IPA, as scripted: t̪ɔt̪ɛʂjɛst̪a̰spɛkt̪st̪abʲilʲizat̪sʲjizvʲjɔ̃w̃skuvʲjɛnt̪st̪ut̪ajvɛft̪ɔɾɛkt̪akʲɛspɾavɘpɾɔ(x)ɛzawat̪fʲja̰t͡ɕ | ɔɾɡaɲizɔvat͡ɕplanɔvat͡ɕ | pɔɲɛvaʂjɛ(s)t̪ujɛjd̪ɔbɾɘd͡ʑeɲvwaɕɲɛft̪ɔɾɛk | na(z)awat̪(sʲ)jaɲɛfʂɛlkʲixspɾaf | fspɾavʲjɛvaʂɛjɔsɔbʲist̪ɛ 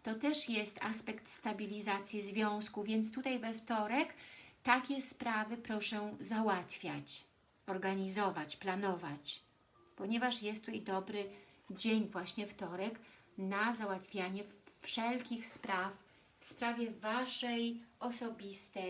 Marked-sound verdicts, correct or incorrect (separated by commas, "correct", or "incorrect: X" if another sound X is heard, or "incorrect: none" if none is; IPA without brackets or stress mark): incorrect: ʂ, correct, correct, incorrect: fʲ